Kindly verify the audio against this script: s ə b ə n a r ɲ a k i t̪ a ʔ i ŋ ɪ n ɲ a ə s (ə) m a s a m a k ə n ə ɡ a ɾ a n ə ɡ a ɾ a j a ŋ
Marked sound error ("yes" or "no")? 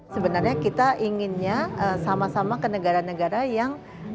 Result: yes